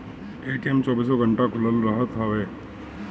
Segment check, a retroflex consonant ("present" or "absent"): present